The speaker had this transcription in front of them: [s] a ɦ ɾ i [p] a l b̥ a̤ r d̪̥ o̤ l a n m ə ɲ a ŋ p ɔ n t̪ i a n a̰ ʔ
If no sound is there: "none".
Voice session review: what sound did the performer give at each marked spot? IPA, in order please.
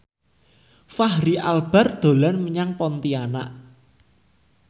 f, none

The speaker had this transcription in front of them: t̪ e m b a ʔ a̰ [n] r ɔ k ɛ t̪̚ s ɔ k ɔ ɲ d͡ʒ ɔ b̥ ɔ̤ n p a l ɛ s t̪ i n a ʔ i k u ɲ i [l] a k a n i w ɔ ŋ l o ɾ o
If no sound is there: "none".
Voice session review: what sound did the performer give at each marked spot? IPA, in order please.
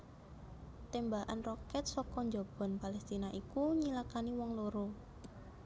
n, l

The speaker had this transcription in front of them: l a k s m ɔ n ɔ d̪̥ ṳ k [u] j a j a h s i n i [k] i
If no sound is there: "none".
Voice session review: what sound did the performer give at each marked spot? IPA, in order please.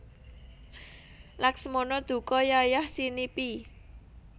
ɔ, p

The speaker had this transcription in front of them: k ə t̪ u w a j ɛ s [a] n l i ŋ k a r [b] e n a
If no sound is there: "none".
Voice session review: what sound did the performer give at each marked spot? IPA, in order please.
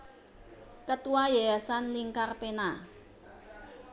a, p

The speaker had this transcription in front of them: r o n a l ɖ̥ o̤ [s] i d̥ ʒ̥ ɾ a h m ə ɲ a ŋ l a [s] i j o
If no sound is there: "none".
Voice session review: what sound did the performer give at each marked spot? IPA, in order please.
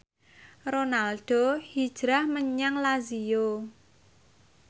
h, z

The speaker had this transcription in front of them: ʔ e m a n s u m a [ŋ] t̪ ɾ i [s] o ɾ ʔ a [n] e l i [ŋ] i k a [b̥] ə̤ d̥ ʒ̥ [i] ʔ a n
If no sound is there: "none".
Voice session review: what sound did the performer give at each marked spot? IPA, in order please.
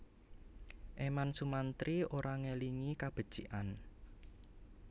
n, none, ŋ, ŋ, b̥, i

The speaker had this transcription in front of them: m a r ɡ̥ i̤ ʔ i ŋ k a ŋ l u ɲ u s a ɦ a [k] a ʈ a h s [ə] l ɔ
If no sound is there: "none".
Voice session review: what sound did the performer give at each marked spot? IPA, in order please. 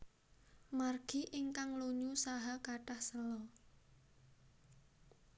k, ə

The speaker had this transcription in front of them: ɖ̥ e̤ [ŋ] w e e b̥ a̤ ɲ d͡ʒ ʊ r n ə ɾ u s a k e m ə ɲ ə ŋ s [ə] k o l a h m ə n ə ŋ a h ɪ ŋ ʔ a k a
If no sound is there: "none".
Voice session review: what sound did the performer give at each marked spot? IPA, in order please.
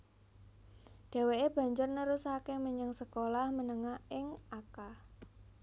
none, ə

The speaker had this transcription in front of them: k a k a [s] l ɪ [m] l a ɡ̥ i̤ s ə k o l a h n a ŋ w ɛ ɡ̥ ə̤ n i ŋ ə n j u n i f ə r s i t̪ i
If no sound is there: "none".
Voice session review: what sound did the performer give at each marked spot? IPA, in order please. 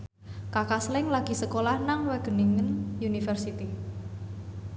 s, ŋ

